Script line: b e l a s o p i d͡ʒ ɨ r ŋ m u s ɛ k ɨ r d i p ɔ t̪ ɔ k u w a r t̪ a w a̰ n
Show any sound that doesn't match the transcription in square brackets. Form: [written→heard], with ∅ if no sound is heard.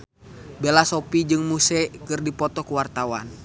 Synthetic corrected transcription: b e l a s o p i d͡ʒ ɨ [r→∅] ŋ m u s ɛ k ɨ r d i p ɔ t̪ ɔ k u w a r t̪ a w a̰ n